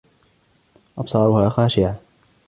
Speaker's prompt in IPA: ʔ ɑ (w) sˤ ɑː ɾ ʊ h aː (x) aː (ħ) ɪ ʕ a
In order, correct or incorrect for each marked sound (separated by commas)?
incorrect, correct, incorrect